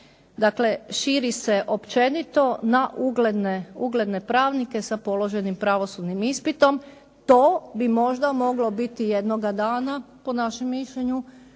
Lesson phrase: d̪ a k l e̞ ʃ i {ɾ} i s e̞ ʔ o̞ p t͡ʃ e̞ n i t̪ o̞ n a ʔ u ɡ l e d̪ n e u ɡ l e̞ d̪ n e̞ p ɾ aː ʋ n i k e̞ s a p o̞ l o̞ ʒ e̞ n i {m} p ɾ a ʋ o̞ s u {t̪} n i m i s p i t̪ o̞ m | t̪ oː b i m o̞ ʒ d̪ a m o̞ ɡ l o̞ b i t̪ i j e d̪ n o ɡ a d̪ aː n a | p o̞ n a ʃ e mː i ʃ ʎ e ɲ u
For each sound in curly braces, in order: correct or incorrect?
correct, correct, incorrect: d̪

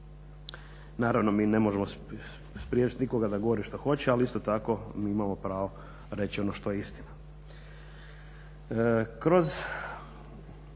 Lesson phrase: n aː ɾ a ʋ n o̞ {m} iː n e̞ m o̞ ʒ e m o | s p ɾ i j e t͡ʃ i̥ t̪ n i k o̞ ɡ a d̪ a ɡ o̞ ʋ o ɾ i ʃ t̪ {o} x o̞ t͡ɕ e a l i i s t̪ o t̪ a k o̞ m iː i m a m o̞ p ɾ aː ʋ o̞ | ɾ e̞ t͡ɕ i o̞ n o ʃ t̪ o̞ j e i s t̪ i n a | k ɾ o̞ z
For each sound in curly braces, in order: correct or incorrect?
correct, correct

